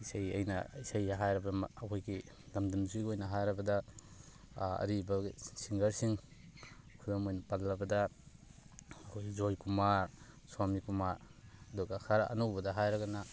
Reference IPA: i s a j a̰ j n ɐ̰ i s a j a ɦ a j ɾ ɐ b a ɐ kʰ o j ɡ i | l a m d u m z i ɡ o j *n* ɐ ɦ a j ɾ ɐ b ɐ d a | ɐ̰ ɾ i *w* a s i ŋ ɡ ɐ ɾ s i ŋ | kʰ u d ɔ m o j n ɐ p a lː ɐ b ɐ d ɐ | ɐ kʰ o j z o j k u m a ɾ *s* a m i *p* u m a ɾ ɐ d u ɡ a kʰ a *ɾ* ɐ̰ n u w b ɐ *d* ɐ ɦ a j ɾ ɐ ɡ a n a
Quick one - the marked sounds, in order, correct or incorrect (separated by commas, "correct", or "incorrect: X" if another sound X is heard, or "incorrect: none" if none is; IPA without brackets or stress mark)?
correct, incorrect: b, correct, incorrect: k, correct, correct